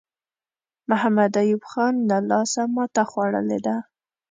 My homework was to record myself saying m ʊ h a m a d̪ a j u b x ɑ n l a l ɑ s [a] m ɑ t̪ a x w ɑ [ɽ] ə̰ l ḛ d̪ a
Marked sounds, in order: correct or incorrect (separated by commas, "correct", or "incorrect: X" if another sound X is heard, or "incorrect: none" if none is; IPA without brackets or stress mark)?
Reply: correct, correct